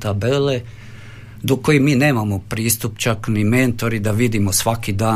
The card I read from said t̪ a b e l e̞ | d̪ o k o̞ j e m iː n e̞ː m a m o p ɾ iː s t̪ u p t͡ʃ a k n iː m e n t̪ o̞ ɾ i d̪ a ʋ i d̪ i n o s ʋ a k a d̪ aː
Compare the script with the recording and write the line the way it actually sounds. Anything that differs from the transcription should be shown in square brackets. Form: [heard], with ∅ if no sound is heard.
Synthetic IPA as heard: t̪ a b e l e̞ | d̪ o k o̞ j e m iː n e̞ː m a m o p ɾ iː s t̪ u p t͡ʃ a k n [i] m e n t̪ o̞ ɾ i d̪ a ʋ i d̪ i [m] o s ʋ a k [i] d̪ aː